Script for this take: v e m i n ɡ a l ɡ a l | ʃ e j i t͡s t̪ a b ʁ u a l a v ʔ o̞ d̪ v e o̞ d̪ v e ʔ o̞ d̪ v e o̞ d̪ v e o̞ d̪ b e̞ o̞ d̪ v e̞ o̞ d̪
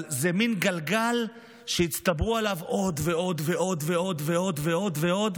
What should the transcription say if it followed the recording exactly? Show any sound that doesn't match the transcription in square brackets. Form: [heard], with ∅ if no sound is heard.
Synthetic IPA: [z] e m i n ɡ a l ɡ a l | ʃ e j i t͡s t̪ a b ʁ u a l a v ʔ o̞ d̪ v e o̞ d̪ v e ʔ o̞ d̪ v e o̞ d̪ v e o̞ d̪ [v] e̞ o̞ d̪ v e̞ o̞ d̪